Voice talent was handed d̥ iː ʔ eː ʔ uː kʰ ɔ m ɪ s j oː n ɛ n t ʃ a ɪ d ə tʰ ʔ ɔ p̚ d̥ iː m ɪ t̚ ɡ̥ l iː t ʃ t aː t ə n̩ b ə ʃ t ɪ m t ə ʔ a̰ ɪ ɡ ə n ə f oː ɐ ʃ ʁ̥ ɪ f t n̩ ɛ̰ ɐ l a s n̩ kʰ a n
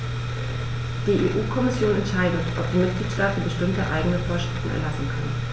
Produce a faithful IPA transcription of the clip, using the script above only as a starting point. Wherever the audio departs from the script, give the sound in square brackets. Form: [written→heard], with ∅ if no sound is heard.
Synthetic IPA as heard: d̥ iː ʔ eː ʔ uː kʰ ɔ m ɪ s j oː n ɛ n t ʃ a ɪ d ə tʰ ʔ ɔ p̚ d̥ iː m ɪ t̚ ɡ̥ l iː t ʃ t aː t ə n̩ b ə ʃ t ɪ m t ə ʔ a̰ ɪ ɡ ə n ə f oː ɐ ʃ ʁ̥ ɪ f t n̩ ɛ̰ ɐ l a s n̩ kʰ a n